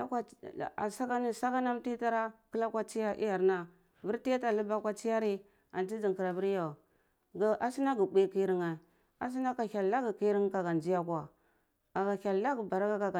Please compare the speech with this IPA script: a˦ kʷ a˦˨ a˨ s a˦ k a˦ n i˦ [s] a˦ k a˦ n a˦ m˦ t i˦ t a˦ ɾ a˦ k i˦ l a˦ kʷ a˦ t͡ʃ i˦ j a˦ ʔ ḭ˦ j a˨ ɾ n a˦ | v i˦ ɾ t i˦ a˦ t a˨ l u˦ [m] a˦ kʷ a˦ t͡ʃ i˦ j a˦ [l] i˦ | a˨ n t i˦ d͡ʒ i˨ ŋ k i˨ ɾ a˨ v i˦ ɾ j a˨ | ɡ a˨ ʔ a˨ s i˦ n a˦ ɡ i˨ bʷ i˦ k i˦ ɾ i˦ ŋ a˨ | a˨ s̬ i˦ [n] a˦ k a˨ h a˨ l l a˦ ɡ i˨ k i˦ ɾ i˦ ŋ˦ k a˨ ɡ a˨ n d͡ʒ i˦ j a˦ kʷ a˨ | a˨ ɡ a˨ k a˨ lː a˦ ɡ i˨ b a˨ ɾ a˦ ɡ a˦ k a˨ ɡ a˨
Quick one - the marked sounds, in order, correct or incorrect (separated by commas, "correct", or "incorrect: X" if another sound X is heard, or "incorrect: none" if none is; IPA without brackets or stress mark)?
correct, incorrect: b, incorrect: ɾ, correct